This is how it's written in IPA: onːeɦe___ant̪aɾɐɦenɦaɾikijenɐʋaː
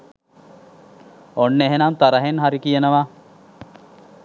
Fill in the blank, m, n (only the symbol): n